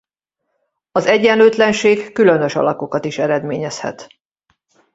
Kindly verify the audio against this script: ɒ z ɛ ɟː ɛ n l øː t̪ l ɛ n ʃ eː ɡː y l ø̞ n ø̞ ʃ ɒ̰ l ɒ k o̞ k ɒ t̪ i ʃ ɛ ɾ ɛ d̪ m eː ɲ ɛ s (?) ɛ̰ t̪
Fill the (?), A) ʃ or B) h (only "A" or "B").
B